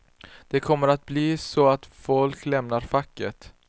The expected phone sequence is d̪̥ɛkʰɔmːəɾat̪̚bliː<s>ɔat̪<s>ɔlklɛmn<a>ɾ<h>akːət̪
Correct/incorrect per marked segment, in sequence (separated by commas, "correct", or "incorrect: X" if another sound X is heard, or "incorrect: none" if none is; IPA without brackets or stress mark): correct, incorrect: f, correct, incorrect: f